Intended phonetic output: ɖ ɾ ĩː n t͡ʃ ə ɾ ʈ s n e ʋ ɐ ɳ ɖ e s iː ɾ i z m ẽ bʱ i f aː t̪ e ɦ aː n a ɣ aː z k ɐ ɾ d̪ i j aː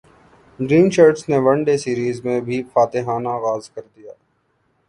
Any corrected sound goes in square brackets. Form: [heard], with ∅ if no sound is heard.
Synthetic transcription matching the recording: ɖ ɾ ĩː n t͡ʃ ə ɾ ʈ s n e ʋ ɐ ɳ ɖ e s iː ɾ [iː] z m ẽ bʱ i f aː t̪ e ɦ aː n a ɣ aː z k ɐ ɾ d̪ i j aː